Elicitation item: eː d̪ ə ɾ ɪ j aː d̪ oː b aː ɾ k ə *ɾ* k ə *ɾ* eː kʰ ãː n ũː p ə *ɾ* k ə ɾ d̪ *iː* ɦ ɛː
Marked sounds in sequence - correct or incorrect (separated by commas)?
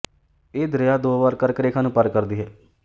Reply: correct, correct, correct, correct